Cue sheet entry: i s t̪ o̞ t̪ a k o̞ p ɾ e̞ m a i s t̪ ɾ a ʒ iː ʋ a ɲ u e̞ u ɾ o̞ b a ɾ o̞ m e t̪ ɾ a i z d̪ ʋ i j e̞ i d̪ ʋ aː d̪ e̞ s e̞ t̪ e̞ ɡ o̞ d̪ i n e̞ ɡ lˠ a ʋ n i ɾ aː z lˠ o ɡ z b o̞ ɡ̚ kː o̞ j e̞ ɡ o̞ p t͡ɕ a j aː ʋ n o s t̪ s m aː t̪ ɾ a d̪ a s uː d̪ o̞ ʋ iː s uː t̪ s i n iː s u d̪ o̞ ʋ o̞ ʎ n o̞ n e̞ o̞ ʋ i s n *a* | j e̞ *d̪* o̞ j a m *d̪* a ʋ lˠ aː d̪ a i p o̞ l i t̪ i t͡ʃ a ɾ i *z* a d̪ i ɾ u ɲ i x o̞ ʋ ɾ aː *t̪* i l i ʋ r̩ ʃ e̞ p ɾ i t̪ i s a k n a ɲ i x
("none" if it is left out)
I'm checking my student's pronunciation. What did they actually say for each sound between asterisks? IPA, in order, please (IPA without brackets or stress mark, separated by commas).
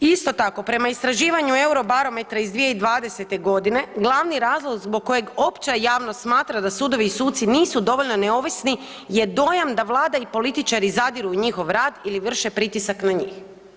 i, d̪, d̪, z, d̪